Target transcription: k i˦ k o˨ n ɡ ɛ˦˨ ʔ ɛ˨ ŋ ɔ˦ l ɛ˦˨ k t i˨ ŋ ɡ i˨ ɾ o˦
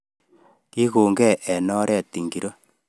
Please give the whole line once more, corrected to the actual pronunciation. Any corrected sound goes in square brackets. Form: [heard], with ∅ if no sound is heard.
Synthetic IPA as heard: k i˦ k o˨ [ŋ] ɡ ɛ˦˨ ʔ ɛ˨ [n] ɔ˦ [ɾ] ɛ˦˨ [∅] t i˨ ŋ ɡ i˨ ɾ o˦